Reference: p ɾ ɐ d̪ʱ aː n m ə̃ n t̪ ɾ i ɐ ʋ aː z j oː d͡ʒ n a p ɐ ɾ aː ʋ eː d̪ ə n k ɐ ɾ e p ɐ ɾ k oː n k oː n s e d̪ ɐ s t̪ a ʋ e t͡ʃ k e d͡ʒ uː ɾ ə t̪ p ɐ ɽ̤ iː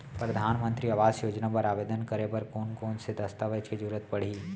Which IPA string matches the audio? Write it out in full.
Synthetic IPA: p ɾ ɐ d̪ʱ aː n m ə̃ n t̪ ɾ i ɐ ʋ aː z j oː d͡ʒ n a p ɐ ɾ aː ʋ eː d̪ ə n k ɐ ɾ e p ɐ ɾ k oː n k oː n s e d̪ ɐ s t̪ a ʋ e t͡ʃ k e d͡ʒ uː ɾ ə t̪ p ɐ ɽ̤ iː

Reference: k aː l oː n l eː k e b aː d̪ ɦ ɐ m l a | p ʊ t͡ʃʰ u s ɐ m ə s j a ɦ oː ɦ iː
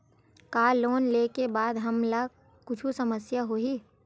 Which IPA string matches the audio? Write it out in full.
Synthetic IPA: k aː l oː n l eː k e b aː d̪ ɦ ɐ m l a | k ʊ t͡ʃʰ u s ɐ m ə s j a ɦ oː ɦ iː

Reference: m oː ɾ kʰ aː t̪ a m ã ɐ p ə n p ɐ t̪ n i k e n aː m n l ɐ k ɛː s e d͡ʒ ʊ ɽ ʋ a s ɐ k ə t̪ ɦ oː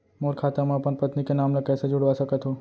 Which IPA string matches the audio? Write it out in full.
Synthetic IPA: m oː ɾ kʰ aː t̪ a m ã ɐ p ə n p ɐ t̪ n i k e n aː m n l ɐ k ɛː s e d͡ʒ ʊ ɽ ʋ a s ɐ k ə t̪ ɦ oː

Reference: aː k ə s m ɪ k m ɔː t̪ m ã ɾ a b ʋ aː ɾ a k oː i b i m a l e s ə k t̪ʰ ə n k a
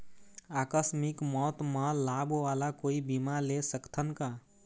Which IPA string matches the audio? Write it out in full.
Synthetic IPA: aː k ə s m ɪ k m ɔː t̪ m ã l a b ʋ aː l a k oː i b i m a l e s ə k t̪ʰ ə n k a

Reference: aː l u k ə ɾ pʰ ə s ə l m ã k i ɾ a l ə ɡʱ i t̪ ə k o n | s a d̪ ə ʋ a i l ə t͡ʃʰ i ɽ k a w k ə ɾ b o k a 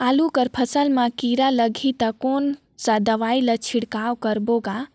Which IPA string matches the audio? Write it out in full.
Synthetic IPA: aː l u k ə ɾ pʰ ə s ə l m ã k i ɾ a l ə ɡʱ i t̪ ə k o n | s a d̪ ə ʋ a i l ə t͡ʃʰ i ɽ k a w k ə ɾ b o ɡ a

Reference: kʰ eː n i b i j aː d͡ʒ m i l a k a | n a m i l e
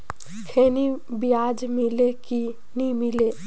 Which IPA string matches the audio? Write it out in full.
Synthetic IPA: kʰ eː n i b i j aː d͡ʒ m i l e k i | n i m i l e

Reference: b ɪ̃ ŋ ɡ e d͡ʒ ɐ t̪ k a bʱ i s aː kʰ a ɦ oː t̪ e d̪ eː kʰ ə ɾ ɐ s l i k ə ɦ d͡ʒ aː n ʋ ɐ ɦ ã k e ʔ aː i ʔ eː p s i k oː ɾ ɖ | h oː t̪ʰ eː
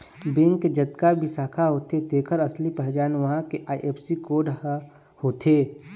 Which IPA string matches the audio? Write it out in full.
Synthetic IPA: b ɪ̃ ŋ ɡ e d͡ʒ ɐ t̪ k a bʱ i s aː kʰ a ɦ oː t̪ e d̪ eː kʰ ə ɾ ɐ s l i p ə ɦ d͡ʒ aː n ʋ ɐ ɦ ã k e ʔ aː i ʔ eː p s i k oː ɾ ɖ | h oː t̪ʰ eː

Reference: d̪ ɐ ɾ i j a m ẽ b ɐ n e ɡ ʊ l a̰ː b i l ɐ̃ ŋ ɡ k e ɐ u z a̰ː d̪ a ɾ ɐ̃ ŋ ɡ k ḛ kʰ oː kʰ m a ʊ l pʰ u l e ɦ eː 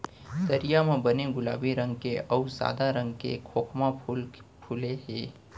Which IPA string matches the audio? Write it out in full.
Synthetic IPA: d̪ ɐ ɾ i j a m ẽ b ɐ n e ɡ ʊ l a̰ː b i ɾ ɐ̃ ŋ ɡ k e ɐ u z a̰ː d̪ a ɾ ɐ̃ ŋ ɡ k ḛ kʰ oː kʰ m a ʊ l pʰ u l e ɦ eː

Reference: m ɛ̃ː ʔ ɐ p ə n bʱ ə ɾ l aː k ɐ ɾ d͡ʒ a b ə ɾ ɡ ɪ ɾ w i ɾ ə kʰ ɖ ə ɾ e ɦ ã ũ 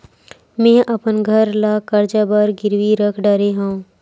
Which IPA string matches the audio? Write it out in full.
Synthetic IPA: m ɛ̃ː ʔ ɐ p ə n ɡʱ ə ɾ l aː k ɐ ɾ d͡ʒ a b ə ɾ ɡ ɪ ɾ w i ɾ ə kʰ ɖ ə ɾ e ɦ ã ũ

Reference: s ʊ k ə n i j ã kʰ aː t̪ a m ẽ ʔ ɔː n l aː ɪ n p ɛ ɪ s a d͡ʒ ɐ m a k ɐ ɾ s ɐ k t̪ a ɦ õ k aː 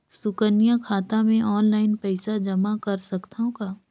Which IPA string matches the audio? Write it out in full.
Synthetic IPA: s ʊ k ə n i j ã kʰ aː t̪ a m ẽ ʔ ɔː n l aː ɪ n p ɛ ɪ s a d͡ʒ ɐ m a k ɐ ɾ s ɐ k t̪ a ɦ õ k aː

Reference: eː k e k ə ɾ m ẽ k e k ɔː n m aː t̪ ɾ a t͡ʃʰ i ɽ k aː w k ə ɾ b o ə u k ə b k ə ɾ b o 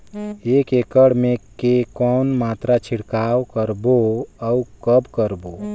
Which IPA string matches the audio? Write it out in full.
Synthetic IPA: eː k e k ə ɽ m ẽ k e k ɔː n m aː t̪ ɾ a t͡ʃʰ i ɽ k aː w k ə ɾ b o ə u k ə b k ə ɾ b o

